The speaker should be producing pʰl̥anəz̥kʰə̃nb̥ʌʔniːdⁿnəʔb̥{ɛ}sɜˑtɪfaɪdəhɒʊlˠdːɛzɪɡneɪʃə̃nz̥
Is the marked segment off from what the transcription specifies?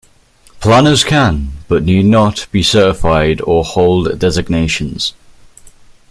yes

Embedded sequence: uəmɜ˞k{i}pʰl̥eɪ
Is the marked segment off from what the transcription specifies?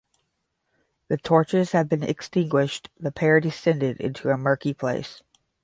no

